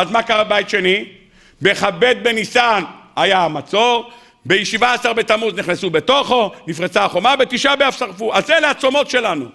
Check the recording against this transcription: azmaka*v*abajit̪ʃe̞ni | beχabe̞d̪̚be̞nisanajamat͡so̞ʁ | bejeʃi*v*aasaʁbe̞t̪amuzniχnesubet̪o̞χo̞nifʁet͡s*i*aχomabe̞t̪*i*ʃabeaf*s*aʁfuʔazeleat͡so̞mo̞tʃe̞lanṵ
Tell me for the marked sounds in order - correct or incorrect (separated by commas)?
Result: incorrect, correct, incorrect, correct, correct